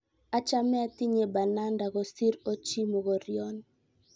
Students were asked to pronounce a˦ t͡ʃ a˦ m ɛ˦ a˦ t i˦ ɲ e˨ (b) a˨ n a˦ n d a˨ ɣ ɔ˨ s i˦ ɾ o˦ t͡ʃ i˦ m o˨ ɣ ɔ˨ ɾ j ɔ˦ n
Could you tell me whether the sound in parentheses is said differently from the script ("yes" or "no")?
no